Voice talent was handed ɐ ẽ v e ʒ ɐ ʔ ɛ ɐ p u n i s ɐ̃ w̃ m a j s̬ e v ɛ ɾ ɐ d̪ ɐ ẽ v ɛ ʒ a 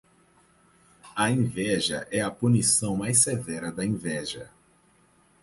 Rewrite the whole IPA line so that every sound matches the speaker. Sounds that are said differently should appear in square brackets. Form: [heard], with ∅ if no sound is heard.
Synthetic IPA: ɐ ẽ v [ɛ] ʒ ɐ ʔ ɛ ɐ p u n i s ɐ̃ w̃ m a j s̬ e v ɛ ɾ ɐ d̪ ɐ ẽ v ɛ ʒ [ɐ]